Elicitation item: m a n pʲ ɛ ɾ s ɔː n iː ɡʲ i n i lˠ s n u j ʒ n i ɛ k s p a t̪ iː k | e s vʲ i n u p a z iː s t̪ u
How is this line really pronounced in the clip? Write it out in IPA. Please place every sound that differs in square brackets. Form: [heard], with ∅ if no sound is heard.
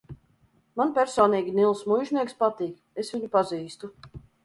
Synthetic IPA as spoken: m a n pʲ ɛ ɾ s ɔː n iː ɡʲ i n i lˠ s [m] u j ʒ n i ɛ k s p a t̪ iː k | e s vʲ i [ɲ] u p a z iː s t̪ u